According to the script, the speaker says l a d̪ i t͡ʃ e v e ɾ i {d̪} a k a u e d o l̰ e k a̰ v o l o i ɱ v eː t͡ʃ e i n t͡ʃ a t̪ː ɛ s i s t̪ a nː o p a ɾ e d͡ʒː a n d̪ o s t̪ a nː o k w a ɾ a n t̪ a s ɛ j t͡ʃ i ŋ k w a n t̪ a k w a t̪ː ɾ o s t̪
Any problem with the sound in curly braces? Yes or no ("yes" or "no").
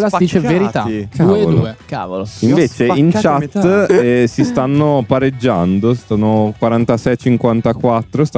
yes